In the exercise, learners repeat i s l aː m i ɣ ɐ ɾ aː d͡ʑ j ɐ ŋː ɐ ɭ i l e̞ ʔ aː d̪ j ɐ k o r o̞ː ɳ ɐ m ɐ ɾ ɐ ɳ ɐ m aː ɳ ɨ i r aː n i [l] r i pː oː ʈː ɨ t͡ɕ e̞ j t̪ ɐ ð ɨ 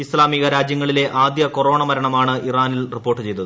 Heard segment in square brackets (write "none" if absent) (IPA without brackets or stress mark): l